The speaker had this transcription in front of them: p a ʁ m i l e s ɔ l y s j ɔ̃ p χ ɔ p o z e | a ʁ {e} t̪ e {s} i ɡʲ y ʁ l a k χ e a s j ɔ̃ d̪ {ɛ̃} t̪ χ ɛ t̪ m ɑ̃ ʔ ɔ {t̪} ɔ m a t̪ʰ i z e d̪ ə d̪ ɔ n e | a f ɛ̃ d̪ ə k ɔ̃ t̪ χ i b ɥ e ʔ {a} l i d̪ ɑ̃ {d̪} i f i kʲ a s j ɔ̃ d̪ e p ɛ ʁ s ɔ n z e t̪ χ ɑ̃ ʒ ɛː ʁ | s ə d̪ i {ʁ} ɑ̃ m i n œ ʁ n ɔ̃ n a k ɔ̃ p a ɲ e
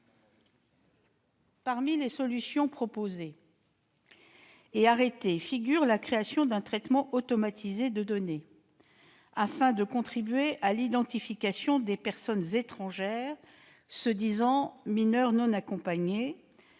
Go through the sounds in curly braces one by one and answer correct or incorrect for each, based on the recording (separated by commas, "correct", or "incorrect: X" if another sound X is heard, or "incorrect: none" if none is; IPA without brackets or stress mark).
correct, incorrect: f, correct, correct, correct, incorrect: t̪, incorrect: z